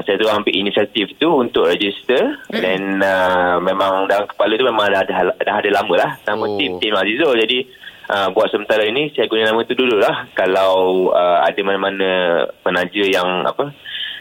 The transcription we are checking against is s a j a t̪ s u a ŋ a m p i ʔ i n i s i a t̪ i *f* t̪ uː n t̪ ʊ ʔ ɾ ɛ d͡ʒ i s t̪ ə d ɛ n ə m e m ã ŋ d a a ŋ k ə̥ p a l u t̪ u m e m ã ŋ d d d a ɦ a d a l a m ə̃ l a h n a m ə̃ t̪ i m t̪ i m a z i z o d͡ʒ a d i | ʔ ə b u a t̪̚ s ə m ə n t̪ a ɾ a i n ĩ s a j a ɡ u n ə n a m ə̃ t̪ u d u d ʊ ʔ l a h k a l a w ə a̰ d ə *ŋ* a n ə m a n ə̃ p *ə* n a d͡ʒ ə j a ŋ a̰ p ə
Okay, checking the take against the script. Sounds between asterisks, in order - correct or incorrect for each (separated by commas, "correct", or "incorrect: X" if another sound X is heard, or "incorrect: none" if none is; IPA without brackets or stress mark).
correct, incorrect: m, correct